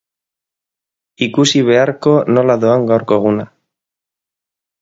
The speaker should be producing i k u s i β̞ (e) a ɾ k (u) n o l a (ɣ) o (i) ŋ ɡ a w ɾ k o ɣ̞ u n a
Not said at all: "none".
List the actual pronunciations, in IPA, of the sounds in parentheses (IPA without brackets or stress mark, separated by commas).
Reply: e, o, ð, a